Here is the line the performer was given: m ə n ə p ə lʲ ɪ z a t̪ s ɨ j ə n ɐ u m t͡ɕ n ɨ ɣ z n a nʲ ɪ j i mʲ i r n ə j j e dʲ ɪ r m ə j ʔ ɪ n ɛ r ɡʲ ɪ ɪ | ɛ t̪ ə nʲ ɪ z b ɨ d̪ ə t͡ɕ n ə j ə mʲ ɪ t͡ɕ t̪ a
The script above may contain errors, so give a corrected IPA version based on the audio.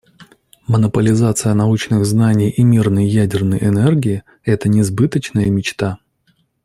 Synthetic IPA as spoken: m ə n ə p ə lʲ ɪ z a t̪ s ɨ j ə n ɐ u t͡ɕ n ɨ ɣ z n a nʲ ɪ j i mʲ i r n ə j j æ dʲ ɪ r n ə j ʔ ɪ n ɛ r ɡʲ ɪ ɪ | ɛ t̪ ə nʲ ɪ z b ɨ t̪ ə t͡ɕ n ə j ə mʲ ɪ t͡ɕ t̪ a